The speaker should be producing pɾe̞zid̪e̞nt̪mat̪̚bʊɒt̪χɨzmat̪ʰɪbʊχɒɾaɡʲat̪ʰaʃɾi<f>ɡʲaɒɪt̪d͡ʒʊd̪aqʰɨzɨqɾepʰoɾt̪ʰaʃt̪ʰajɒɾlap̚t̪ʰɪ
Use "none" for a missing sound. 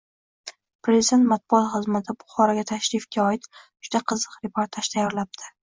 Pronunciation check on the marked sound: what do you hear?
f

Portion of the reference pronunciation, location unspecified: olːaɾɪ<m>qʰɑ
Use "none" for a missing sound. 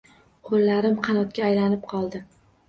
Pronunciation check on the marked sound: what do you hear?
m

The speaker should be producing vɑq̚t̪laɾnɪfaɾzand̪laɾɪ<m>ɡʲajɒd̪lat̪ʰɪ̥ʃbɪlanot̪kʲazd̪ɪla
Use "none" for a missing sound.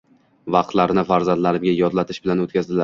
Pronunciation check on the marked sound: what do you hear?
m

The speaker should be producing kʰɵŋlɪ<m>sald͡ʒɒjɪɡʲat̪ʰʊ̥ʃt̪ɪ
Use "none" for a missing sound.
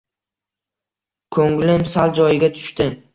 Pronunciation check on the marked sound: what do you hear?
m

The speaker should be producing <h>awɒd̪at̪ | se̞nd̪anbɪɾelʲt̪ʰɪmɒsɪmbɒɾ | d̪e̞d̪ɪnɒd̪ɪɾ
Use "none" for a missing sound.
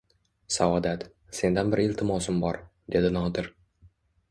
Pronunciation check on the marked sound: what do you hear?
s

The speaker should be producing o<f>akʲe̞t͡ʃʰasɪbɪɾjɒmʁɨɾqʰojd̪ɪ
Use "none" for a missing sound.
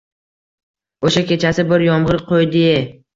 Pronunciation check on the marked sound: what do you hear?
ʃ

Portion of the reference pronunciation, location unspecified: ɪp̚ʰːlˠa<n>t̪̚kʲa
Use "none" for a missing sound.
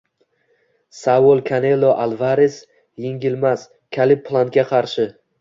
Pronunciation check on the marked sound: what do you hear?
n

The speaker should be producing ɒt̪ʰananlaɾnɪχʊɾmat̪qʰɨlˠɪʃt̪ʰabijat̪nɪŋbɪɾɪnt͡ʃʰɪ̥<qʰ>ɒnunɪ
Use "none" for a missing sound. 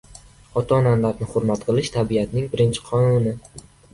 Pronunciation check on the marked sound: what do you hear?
qʰ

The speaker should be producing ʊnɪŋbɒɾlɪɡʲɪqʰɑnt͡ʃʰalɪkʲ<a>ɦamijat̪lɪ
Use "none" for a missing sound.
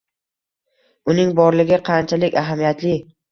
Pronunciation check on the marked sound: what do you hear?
a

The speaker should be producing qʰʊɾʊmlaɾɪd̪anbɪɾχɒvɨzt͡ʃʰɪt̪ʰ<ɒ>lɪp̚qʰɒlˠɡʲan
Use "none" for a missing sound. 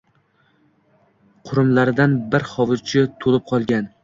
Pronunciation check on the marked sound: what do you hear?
o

